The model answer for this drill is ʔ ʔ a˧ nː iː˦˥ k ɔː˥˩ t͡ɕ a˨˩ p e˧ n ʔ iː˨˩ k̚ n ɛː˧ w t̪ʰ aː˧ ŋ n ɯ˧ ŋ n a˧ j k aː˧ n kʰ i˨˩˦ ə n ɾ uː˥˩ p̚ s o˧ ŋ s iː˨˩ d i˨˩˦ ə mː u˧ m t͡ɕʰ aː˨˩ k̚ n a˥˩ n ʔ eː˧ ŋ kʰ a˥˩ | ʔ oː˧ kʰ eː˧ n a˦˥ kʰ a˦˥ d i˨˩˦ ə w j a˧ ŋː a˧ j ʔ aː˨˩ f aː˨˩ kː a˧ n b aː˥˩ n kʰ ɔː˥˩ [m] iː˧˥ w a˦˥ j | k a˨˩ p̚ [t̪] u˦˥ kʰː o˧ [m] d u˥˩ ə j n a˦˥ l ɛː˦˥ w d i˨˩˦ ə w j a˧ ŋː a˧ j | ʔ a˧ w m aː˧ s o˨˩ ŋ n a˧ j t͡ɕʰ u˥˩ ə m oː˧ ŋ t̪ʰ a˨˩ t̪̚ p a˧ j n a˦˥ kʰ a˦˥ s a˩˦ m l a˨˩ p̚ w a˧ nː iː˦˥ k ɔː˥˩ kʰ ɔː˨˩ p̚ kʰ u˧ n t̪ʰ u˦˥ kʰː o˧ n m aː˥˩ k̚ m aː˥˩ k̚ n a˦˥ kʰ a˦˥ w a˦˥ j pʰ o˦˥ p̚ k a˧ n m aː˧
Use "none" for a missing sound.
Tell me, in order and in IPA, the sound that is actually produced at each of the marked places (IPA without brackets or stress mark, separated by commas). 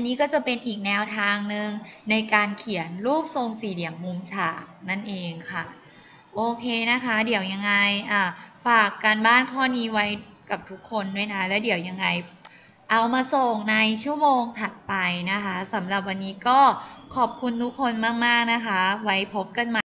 n, t̪ʰ, n